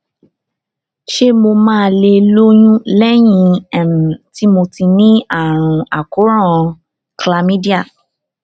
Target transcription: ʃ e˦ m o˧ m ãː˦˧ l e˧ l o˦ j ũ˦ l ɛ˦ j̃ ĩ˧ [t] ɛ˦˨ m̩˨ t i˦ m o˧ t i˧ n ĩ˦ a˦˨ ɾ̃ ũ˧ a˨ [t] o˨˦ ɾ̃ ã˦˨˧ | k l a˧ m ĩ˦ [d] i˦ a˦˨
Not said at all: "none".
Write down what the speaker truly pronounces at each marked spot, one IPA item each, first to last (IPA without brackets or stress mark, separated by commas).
none, k, d